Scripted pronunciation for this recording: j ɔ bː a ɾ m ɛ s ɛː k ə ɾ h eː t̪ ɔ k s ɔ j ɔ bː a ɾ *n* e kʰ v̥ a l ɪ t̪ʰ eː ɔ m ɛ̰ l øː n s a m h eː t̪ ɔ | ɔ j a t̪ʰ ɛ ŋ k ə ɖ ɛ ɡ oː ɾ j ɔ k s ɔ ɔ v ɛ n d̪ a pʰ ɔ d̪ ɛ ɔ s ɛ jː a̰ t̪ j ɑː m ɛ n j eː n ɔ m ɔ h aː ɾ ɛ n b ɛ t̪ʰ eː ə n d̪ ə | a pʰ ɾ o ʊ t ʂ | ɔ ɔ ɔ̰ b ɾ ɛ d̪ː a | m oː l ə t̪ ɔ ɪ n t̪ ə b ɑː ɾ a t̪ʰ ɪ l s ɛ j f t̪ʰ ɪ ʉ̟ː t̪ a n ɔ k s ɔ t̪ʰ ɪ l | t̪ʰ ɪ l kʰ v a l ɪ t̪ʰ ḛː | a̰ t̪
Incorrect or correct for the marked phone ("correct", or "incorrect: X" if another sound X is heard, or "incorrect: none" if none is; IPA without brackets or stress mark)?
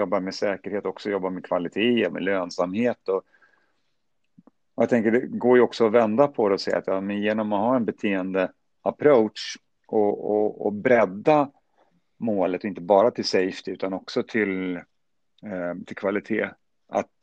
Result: incorrect: m